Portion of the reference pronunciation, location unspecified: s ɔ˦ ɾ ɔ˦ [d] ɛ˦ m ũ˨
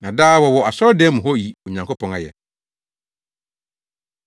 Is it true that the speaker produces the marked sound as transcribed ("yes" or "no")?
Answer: yes